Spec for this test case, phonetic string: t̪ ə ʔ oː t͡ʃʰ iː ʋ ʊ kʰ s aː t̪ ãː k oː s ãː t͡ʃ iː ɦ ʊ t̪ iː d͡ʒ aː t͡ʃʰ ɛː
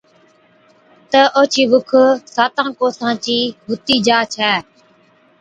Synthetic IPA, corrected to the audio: t̪ ə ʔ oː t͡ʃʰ iː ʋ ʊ kʰ s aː t̪ ãː k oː s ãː t͡ʃ iː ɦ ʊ t̪ iː d͡ʒ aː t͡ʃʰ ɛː